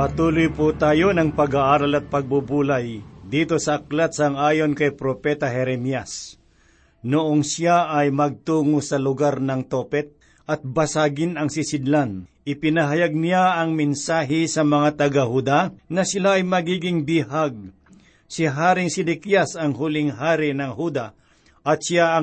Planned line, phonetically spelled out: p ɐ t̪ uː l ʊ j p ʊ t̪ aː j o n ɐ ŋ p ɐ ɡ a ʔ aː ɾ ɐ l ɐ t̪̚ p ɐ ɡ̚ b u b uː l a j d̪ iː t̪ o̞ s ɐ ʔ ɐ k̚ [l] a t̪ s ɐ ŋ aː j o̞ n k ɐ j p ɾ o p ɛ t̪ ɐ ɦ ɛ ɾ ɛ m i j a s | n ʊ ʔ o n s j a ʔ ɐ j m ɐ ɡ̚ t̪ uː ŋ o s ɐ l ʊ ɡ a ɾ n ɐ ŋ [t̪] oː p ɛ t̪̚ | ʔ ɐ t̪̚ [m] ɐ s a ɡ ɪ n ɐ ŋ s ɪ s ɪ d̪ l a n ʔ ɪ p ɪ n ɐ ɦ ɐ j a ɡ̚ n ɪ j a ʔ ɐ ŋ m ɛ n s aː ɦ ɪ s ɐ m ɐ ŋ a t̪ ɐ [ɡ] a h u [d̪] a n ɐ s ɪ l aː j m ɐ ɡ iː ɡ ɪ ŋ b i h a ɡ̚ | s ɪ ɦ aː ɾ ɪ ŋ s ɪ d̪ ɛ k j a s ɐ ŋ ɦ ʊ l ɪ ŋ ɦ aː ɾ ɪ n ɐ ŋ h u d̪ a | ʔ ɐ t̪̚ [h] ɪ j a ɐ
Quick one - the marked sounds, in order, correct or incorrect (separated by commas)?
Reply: correct, correct, incorrect, correct, correct, incorrect